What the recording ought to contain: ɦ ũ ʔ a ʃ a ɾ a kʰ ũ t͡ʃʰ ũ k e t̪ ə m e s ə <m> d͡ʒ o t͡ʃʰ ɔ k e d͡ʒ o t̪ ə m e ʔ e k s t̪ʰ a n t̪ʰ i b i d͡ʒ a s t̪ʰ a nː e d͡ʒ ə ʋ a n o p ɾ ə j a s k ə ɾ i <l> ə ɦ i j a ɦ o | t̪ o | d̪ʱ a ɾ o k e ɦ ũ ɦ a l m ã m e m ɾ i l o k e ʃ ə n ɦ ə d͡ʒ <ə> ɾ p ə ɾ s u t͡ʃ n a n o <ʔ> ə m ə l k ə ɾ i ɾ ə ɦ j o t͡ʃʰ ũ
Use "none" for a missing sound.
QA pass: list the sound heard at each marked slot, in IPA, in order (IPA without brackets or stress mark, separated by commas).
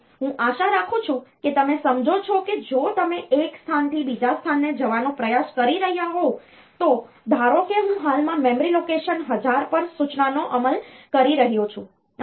m, ɾ, a, ʔ